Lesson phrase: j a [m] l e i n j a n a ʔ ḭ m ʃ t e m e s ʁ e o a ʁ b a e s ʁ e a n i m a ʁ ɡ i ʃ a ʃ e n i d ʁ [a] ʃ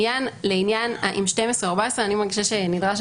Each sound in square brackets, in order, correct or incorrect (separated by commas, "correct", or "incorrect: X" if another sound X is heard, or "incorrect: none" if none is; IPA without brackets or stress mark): incorrect: n, correct